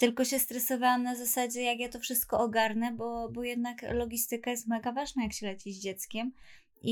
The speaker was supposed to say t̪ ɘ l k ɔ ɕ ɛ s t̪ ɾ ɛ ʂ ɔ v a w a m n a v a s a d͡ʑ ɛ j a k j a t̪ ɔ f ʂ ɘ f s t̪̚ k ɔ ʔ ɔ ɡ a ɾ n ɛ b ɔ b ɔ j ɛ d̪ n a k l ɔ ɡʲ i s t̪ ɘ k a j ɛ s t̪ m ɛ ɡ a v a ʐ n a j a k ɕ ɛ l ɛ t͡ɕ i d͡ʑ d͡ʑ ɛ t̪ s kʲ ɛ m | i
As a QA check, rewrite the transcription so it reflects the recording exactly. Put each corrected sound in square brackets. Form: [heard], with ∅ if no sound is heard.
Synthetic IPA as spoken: t̪ ɘ l k ɔ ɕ ɛ s t̪ ɾ ɛ [s] ɔ v a w a m n a [z] a s a d͡ʑ ɛ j a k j a t̪ ɔ f ʂ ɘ [∅] s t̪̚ k ɔ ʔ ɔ ɡ a ɾ n ɛ b ɔ b ɔ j ɛ d̪ n a k l ɔ ɡʲ i s t̪ ɘ k a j ɛ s t̪ m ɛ ɡ a v a ʐ n a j a k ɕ ɛ l ɛ t͡ɕ i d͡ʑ d͡ʑ ɛ t̪ s kʲ ɛ m | i